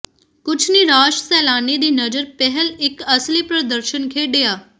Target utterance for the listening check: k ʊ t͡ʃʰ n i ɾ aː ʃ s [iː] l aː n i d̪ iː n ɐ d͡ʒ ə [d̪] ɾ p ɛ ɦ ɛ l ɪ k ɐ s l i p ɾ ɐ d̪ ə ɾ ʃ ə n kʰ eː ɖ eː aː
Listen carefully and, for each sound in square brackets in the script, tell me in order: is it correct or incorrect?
incorrect, incorrect

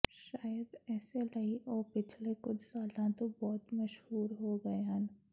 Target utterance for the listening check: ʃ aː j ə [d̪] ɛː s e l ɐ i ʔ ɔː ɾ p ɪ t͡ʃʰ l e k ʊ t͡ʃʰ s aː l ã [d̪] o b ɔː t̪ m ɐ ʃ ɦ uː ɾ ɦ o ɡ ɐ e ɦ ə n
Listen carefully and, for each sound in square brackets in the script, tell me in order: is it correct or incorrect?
correct, incorrect

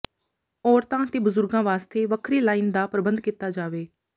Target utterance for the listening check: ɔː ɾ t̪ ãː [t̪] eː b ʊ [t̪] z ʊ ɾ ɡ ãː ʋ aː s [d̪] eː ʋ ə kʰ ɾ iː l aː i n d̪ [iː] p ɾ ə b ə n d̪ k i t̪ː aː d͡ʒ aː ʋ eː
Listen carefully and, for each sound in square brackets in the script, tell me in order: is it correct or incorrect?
correct, incorrect, incorrect, incorrect

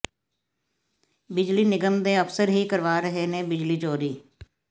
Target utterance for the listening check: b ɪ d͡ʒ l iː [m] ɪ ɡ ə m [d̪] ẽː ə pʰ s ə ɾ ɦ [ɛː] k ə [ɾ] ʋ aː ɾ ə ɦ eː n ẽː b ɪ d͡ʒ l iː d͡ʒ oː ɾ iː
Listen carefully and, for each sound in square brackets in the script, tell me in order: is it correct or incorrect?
incorrect, correct, incorrect, correct

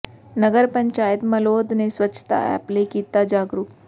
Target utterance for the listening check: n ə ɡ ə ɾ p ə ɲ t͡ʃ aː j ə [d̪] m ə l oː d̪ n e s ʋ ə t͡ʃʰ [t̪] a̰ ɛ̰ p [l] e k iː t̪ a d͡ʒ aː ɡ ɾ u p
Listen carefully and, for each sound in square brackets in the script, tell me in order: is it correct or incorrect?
incorrect, correct, correct

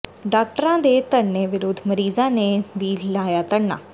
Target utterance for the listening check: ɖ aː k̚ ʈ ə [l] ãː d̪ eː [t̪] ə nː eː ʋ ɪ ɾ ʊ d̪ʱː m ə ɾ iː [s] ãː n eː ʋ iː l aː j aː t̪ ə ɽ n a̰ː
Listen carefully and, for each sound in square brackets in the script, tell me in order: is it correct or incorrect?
incorrect, correct, incorrect

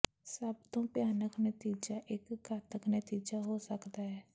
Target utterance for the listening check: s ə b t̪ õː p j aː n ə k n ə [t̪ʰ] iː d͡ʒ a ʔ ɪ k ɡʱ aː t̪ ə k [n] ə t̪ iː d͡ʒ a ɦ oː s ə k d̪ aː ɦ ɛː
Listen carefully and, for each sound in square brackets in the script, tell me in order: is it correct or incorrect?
incorrect, correct

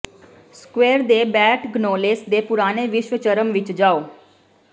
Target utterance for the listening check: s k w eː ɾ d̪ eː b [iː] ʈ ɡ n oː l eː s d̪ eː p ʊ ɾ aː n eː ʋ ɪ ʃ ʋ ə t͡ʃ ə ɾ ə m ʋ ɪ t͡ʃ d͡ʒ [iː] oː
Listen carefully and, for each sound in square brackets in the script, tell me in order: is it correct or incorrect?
incorrect, incorrect

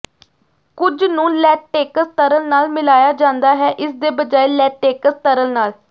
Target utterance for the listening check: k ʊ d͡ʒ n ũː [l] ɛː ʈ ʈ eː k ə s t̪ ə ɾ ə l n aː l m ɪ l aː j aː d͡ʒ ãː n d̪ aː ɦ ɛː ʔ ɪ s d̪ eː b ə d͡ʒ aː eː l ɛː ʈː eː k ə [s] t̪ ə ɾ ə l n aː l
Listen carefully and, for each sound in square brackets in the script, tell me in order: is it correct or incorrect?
correct, correct

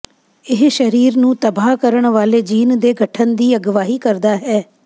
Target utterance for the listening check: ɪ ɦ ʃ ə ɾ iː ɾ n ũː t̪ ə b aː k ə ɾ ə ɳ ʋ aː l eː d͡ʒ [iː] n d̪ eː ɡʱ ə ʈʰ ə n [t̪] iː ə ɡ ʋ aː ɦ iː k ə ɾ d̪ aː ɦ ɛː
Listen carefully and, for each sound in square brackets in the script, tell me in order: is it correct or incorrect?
correct, incorrect

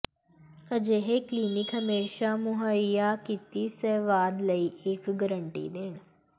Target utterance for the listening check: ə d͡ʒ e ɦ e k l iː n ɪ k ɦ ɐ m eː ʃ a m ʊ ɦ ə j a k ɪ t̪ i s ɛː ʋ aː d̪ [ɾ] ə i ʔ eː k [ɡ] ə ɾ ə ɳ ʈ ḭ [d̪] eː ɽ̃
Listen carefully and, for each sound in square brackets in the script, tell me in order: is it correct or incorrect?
incorrect, correct, correct

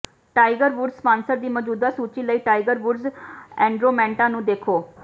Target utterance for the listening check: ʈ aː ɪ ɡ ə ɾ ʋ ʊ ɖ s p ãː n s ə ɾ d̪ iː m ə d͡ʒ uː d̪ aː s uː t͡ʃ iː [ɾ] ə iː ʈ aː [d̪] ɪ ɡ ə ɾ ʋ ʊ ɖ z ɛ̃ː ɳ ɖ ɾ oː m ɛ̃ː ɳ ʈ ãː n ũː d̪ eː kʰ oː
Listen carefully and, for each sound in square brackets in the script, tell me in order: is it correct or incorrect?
incorrect, incorrect

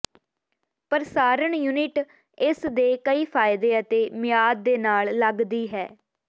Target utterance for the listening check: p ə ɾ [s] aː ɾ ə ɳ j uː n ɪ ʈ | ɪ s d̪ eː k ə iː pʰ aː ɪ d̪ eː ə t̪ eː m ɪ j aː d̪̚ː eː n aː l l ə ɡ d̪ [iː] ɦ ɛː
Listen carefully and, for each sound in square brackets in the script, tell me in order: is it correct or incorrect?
correct, correct

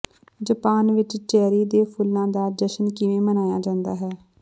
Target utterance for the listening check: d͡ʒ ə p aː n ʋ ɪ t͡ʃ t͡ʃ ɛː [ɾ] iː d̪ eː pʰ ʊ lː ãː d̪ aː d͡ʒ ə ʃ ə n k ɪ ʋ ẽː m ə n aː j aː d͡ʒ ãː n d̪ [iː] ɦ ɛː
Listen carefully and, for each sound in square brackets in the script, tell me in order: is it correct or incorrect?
correct, incorrect

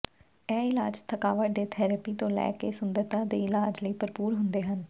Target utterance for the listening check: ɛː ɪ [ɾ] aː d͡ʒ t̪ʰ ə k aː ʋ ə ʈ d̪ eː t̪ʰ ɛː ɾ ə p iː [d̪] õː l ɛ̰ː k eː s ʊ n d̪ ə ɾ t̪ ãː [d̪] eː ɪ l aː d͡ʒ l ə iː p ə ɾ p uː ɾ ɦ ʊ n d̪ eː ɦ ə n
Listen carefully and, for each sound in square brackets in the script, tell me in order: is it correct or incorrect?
incorrect, incorrect, correct

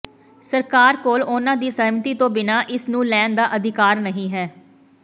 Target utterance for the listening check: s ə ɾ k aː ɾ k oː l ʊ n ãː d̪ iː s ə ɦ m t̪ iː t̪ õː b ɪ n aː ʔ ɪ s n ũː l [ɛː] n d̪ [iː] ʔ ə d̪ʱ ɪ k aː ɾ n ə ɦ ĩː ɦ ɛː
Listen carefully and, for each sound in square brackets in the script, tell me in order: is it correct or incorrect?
correct, incorrect

